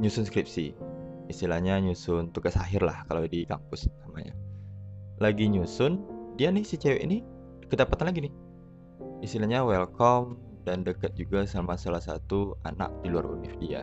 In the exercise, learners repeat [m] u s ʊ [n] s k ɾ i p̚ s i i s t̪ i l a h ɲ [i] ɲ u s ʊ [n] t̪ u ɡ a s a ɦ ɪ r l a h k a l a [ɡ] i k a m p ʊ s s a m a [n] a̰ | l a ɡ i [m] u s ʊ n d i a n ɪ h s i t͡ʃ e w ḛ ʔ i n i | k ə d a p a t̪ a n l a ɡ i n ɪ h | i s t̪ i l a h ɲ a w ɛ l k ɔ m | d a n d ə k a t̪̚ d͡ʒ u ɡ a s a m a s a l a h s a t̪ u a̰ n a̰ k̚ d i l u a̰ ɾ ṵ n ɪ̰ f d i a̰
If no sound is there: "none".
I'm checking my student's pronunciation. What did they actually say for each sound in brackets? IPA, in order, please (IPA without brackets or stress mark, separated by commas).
ɲ, n, a, n, d, ɲ, ɲ